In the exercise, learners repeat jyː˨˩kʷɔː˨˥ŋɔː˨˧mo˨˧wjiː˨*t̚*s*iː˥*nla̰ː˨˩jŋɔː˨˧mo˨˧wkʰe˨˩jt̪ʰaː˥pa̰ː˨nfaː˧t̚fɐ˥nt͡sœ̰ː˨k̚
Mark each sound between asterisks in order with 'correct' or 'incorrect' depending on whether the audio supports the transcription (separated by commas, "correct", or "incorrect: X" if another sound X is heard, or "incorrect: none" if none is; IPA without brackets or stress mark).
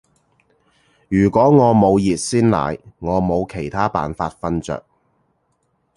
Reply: correct, correct